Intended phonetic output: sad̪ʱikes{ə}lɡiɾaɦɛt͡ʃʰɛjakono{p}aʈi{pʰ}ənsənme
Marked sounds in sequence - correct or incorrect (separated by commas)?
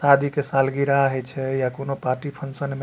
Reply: incorrect, correct, correct